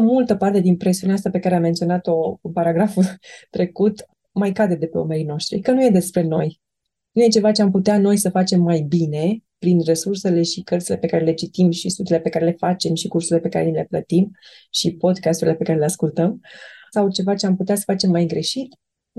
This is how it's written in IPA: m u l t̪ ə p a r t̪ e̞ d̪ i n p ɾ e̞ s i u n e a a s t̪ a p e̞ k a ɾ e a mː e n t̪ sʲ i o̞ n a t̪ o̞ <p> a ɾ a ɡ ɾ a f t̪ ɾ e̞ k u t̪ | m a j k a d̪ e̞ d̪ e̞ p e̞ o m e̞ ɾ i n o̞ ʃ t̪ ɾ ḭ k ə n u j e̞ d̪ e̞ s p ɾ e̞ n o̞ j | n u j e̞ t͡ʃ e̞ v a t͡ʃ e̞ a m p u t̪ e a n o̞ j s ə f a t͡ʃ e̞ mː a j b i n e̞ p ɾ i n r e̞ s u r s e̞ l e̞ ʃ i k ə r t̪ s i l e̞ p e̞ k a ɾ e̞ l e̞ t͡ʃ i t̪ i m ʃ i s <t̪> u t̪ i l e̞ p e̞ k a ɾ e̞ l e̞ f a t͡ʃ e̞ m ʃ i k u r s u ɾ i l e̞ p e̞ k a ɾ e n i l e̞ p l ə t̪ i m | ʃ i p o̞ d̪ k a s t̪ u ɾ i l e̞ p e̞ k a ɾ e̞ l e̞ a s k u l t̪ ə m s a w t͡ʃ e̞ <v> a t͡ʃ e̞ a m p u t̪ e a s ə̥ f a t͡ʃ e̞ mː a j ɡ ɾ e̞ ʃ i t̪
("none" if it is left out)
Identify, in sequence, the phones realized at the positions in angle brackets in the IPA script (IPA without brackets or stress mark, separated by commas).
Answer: p, t̪, v